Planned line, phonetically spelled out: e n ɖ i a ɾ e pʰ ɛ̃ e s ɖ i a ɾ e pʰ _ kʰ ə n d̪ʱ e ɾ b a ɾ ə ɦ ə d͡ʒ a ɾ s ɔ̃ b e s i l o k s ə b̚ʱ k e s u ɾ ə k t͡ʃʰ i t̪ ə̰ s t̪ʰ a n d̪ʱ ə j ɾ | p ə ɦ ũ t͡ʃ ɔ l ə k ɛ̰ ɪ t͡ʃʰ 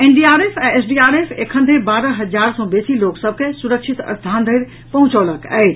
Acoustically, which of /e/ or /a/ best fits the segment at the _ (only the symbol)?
e